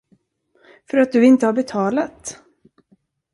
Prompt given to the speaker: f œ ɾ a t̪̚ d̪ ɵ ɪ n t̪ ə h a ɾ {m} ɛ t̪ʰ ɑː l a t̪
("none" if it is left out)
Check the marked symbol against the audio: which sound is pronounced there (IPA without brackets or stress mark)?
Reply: b